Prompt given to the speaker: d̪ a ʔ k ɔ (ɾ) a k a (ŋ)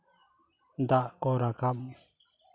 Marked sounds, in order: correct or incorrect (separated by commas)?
correct, incorrect